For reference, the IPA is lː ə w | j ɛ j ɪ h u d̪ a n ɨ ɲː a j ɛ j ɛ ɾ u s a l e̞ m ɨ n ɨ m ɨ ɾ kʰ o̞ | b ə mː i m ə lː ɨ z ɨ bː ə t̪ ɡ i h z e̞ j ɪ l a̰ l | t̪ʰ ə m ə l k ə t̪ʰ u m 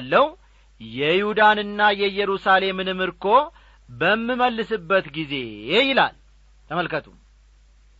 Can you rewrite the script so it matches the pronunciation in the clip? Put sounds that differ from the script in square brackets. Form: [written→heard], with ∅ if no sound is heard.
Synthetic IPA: lː ə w | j ɛ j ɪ h u d̪ a n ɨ [ɲː→nː] a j ɛ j ɛ ɾ u s a l e̞ m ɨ n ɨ m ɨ ɾ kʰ o̞ | b ə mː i m ə lː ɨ [z→s] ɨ bː ə t̪ ɡ i [h→∅] z e̞ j ɪ l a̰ l | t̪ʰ ə m ə l k ə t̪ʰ u m